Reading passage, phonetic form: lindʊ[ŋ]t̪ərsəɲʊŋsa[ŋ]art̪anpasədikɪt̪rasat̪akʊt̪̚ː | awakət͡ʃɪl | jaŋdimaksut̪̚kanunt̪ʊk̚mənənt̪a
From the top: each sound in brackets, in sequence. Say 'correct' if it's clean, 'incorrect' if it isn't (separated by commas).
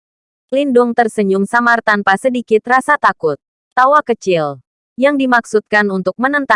correct, incorrect